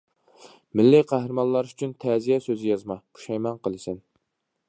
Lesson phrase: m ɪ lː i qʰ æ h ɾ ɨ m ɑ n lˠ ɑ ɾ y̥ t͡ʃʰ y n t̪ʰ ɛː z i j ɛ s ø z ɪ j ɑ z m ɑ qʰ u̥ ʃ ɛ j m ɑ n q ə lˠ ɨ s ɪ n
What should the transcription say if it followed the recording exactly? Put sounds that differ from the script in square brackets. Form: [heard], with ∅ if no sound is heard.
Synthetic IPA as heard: m ɪ lː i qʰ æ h ɾ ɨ m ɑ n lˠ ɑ ɾ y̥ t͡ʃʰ y n t̪ʰ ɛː z i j ɛ s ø z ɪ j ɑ z m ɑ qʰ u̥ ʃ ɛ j m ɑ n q ə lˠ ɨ s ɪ n

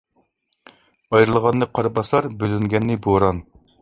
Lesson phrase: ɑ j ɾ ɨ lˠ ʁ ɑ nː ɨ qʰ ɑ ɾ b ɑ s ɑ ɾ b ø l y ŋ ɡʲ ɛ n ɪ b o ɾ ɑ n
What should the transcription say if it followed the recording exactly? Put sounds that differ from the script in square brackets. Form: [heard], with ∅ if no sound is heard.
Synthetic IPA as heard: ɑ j ɾ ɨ lˠ ʁ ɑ nː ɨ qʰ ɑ ɾ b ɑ s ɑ ɾ b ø l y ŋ ɡʲ ɛ [nː] ɪ b o ɾ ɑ n

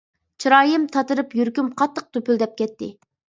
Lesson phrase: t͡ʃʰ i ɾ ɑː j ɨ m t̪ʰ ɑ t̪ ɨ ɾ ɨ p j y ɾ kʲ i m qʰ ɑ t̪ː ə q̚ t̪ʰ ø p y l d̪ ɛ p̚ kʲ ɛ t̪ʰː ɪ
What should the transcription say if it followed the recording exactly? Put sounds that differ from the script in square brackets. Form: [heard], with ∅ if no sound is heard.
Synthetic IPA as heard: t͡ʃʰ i ɾ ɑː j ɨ m t̪ʰ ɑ t̪ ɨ ɾ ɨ p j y ɾ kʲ [y] m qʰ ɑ t̪ː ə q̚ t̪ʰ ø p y l d̪ ɛ p̚ kʲ ɛ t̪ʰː ɪ

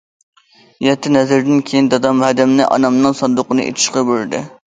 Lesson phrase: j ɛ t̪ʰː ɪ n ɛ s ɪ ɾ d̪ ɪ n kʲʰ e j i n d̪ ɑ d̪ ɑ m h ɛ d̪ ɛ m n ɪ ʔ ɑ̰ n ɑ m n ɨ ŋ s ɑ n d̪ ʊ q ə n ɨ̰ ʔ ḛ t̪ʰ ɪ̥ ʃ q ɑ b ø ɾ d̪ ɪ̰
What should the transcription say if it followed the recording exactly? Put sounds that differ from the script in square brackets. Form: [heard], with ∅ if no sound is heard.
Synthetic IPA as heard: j ɛ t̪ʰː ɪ n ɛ [z] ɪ ɾ d̪ ɪ n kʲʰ e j i n d̪ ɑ d̪ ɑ m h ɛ d̪ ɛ m n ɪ ʔ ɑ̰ n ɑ m n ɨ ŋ s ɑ n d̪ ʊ q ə n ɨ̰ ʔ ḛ t̪ʰ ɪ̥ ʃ q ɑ b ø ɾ d̪ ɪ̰

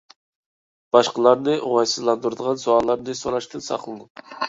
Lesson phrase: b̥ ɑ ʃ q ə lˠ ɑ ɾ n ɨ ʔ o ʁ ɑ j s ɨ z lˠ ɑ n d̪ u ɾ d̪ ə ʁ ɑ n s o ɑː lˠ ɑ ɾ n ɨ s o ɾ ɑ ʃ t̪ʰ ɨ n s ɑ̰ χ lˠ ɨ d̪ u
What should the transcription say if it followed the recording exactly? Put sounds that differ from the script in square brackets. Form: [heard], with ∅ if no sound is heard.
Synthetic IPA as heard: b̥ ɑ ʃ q ə lˠ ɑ ɾ n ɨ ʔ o ʁ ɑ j s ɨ z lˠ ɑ n d̪ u ɾ d̪ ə ʁ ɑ n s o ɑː lˠ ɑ ɾ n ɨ s o ɾ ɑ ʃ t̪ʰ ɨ n s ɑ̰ χ lˠ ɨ d̪ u

